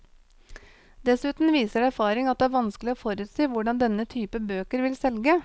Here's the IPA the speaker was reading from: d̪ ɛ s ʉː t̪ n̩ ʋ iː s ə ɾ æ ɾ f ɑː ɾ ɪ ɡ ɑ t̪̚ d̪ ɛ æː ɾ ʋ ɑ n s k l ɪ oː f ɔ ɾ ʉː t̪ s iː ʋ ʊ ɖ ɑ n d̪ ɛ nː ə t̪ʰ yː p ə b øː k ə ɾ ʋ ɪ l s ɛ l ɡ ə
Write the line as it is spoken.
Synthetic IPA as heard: d̪ ɛ s ʉː t̪ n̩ ʋ iː s ə ɾ æ ɾ f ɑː ɾ ɪ ŋ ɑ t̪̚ d̪ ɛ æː ɾ ʋ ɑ n s k l ɪ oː f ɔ ɾ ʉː t̪ s iː ʋ ʊ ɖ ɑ n d̪ ɛ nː ə t̪ʰ yː p ə b øː k ə ɾ ʋ ɪ l s ɛ l ɡ ə